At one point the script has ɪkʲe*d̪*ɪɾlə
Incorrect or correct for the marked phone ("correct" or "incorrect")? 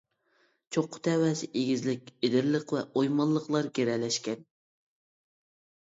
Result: correct